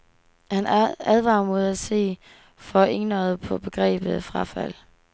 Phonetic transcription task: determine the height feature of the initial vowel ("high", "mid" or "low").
low